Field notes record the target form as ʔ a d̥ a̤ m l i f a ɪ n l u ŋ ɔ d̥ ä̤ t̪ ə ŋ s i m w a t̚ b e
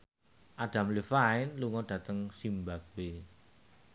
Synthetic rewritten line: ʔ a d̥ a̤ m l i f a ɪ n l u ŋ ɔ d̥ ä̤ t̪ ə ŋ s i m b a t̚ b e